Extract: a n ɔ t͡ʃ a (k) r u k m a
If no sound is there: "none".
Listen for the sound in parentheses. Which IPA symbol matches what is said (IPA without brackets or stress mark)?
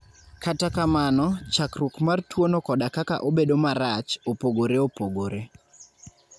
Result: k